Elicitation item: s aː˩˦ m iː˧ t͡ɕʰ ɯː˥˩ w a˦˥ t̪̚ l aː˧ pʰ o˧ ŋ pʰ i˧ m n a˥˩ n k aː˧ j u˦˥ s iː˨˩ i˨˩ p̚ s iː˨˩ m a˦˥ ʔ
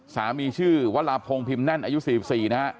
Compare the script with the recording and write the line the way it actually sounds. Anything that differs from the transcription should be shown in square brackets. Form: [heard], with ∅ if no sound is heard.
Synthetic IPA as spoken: s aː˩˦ m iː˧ t͡ɕʰ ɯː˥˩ w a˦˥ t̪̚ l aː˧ pʰ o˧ ŋ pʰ i˧ m n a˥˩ n [ʔ] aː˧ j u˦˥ s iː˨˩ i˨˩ p̚ s iː˨˩ [n] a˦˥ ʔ